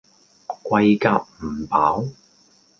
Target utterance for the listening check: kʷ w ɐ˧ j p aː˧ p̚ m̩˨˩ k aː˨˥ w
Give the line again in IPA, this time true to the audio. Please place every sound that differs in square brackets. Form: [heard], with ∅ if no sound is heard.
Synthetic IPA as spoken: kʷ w ɐ˧ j [k] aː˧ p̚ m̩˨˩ [p] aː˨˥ w